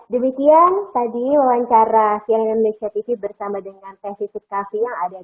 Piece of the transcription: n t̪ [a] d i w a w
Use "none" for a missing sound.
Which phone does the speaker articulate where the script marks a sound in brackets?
a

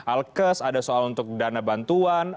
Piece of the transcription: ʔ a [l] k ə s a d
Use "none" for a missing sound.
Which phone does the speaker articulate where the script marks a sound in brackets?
l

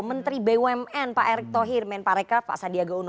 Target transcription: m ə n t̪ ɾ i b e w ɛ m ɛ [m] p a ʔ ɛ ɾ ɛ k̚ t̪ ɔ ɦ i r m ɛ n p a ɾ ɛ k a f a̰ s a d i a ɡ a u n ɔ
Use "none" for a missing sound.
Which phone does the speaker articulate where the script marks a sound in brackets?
n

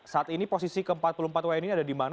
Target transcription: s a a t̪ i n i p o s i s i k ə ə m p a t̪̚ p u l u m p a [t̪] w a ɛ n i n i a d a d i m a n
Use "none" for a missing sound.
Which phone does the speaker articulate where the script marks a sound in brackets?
t̪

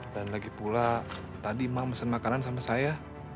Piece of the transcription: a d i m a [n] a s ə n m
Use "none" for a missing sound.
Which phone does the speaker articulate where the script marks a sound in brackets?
m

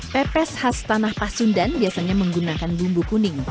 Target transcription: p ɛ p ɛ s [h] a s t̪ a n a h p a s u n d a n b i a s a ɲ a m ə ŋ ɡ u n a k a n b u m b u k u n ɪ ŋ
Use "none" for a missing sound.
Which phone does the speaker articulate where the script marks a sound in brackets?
h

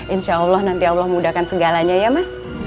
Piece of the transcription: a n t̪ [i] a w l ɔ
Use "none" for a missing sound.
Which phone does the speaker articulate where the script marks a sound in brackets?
i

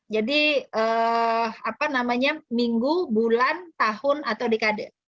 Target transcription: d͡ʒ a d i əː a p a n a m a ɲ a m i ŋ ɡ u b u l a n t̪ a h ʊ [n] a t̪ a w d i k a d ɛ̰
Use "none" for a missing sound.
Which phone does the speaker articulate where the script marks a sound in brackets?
n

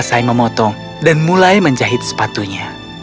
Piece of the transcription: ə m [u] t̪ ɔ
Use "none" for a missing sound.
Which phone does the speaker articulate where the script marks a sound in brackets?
ɔ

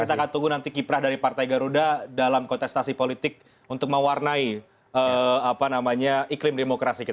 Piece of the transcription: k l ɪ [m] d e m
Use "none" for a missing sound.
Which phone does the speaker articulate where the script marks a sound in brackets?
m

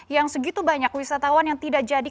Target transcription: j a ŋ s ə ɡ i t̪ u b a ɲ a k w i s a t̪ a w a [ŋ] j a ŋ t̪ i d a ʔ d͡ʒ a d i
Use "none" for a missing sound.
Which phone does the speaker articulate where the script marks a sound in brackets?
n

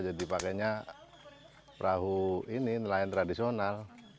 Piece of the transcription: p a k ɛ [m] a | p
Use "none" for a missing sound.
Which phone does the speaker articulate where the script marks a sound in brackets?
ɲ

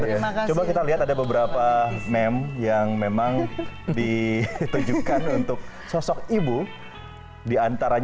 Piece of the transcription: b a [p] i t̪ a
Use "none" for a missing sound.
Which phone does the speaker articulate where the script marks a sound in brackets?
k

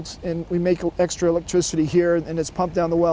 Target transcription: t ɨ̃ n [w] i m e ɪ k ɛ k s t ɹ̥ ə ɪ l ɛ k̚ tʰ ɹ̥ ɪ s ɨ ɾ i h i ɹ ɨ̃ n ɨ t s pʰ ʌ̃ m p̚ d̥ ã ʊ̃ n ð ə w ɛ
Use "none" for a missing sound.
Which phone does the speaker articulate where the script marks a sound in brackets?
w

